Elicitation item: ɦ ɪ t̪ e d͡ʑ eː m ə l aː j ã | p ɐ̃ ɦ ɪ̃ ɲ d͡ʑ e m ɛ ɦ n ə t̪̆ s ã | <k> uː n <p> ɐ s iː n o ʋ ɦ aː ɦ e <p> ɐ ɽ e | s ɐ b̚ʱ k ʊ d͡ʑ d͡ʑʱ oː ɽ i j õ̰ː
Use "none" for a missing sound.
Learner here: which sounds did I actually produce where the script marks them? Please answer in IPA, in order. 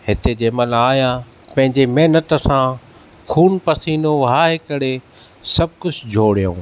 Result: kʰ, p, k

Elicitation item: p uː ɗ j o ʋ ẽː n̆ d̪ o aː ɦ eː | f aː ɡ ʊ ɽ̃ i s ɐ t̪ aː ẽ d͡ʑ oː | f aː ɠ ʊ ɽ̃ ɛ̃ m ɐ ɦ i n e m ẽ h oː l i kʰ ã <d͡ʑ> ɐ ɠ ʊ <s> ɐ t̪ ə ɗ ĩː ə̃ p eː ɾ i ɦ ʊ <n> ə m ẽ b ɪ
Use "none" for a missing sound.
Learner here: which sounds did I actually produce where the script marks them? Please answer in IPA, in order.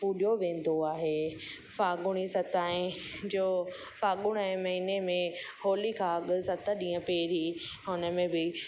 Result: none, s, n

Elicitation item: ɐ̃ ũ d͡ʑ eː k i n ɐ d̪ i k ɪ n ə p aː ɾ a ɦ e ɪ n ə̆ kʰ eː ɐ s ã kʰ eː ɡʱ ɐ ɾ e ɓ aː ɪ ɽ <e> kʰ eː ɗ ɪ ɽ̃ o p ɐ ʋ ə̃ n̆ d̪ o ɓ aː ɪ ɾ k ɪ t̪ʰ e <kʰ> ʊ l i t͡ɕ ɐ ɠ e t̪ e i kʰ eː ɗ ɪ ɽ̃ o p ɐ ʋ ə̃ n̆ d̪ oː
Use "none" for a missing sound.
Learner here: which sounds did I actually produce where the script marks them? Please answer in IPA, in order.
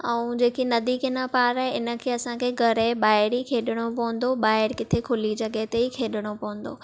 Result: i, kʰ

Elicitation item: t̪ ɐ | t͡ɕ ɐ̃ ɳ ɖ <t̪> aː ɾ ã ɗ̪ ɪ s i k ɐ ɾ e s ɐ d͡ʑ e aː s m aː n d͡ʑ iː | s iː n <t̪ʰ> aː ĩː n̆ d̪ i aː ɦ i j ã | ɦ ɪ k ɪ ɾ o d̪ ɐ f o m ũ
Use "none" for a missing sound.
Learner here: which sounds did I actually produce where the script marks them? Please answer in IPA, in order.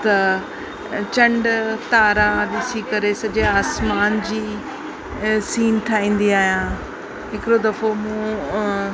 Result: t̪, t̪ʰ

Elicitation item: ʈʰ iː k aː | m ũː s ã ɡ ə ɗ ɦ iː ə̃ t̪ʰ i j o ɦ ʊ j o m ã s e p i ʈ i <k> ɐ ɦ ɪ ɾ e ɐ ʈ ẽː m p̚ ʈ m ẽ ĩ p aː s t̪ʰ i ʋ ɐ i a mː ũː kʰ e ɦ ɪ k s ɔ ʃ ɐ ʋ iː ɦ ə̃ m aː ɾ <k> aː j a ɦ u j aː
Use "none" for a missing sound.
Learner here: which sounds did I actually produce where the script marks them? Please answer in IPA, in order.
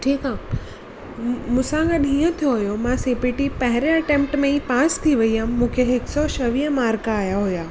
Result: p, k

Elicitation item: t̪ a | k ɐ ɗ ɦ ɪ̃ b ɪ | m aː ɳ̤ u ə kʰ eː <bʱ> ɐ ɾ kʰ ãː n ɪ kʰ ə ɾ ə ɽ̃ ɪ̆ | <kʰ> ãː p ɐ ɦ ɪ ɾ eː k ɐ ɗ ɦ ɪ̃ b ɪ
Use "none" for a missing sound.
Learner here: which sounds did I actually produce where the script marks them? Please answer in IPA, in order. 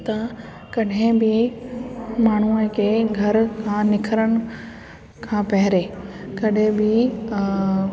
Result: ɡʱ, kʰ

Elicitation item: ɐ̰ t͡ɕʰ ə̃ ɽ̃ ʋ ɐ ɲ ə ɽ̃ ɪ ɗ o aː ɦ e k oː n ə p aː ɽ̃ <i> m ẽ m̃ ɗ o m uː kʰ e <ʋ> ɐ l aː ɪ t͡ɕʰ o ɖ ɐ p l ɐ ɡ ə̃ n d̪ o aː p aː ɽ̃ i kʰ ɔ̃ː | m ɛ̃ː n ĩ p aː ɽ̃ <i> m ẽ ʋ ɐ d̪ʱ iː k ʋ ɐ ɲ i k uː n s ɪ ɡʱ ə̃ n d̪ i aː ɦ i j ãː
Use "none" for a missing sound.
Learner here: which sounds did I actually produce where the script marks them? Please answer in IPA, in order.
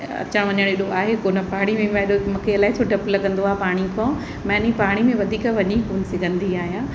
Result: i, none, i

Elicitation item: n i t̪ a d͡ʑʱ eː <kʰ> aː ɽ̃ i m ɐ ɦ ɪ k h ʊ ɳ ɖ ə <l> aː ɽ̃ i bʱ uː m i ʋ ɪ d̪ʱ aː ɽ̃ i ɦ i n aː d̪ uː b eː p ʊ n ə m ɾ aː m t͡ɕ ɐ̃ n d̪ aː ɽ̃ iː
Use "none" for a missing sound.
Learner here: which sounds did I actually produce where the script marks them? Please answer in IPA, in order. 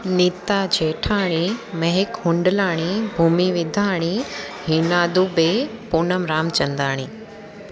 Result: ʈʰ, l

